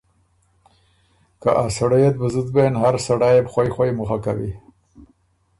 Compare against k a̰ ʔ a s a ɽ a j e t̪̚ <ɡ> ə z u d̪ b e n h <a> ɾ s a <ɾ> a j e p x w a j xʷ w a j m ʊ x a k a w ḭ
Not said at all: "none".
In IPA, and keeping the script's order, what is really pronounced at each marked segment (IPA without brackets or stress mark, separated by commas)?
b, a, ɽ